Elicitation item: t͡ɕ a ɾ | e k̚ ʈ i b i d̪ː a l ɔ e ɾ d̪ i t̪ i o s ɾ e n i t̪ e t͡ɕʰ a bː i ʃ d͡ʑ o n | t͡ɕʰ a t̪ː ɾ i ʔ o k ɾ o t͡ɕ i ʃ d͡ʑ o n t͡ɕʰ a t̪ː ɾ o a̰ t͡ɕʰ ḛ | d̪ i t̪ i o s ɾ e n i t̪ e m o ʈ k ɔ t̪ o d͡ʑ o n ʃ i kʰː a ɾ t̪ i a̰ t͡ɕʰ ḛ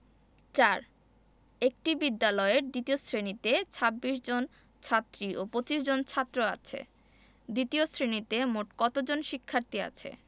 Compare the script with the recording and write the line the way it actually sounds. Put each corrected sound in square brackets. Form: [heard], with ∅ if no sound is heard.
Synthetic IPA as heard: t͡ɕ a ɾ | e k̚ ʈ i b i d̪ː a l ɔ e ɾ d̪ i t̪ i o s ɾ e n i t̪ e t͡ɕʰ a bː i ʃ d͡ʑ o n | t͡ɕʰ a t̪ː ɾ i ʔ o [p] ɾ o t͡ɕ i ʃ d͡ʑ o n t͡ɕʰ a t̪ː ɾ o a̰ t͡ɕʰ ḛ | d̪ i t̪ i o s ɾ e n i t̪ e m o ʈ k ɔ t̪ o d͡ʑ o n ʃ i kʰː a ɾ t̪ i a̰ t͡ɕʰ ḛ